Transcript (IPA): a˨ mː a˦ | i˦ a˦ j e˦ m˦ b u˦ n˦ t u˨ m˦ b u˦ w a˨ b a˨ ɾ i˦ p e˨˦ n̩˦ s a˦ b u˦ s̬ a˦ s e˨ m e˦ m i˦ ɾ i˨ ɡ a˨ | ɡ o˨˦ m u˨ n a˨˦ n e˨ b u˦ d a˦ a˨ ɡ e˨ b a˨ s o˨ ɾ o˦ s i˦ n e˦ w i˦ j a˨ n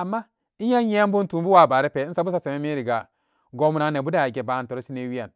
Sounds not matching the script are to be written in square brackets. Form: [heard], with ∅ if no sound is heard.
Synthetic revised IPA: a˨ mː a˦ | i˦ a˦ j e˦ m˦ b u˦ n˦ t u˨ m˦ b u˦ w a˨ b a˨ ɾ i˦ p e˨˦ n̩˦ s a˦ b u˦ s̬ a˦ s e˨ m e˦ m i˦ ɾ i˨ ɡ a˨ | ɡ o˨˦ m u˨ n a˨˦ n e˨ b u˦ d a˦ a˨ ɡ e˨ b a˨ [t] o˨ ɾ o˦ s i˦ n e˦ w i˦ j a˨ n

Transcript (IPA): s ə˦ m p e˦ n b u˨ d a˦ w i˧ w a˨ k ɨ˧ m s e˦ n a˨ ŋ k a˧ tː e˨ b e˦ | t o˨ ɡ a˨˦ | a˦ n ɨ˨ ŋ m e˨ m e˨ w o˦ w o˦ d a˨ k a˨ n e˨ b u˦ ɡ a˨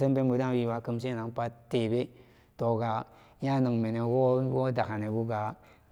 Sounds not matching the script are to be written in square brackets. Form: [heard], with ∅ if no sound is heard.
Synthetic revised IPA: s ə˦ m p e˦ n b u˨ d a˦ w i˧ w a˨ k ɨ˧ m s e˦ n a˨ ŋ [p] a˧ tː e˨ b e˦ | t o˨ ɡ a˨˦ | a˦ n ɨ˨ ŋ m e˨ [n] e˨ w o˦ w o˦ d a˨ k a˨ n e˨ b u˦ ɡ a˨

